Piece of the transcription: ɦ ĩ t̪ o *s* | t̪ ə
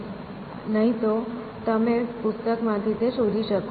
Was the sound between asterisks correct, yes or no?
no